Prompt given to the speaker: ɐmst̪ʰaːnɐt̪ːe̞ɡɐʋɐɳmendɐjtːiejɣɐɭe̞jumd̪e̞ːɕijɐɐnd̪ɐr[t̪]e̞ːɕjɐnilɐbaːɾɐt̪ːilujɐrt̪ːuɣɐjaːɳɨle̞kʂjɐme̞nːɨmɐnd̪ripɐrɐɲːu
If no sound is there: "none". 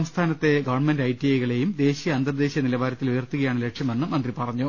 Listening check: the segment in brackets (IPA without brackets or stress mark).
d̪